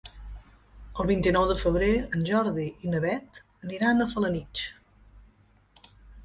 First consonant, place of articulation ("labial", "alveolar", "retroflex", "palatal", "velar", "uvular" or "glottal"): alveolar